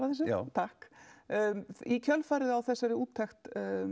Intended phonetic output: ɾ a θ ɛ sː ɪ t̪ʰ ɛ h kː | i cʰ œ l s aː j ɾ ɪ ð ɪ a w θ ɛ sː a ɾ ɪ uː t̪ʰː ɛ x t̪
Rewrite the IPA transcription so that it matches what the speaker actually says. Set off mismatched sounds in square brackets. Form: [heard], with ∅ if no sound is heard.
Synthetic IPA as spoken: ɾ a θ ɛ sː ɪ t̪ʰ [a] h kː | i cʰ œ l [f] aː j ɾ ɪ ð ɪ a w θ ɛ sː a ɾ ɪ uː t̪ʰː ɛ x t̪